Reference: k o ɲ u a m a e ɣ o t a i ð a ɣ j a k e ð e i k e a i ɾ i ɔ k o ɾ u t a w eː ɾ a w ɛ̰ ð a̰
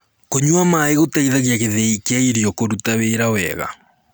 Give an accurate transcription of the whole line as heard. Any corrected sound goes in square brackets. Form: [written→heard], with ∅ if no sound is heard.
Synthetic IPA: k o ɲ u a m a e ɣ o t a i ð a ɣ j a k e ð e i k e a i ɾ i ɔ k o ɾ u t a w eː ɾ a w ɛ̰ [ð→ɣ] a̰